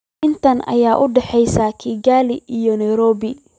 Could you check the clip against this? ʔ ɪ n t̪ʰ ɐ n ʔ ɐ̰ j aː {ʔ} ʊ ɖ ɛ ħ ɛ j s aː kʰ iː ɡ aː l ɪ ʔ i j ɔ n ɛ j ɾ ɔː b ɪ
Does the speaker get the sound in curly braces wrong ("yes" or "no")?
no